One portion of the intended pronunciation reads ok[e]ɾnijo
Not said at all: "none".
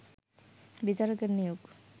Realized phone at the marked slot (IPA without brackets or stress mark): e